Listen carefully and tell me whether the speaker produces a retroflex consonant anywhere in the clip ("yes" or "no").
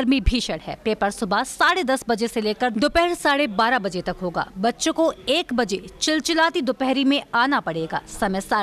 yes